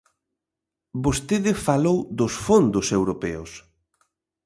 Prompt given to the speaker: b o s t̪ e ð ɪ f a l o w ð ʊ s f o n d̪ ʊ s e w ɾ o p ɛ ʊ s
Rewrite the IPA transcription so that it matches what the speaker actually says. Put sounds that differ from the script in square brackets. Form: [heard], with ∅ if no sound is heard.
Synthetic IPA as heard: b o s t̪ e ð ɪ f a l o w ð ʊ s f o n d̪ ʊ s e w ɾ o p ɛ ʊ s